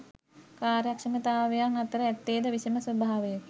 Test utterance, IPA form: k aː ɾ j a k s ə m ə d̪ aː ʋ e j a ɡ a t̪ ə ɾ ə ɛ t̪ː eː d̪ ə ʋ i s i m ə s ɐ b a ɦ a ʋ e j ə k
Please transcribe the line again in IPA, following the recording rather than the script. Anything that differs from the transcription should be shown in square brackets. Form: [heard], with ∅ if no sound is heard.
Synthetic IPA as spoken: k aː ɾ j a k [ʂ] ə m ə [t̪] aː ʋ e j a [ŋ] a t̪ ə ɾ ə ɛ t̪ː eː d̪ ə ʋ i s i m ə s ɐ b a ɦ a ʋ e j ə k